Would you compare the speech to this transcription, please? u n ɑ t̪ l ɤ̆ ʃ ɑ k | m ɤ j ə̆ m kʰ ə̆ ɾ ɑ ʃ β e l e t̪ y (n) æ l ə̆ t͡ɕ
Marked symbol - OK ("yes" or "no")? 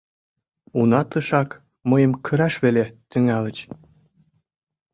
no